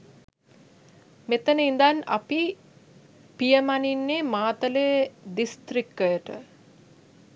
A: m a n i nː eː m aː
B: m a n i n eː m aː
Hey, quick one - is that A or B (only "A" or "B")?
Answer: A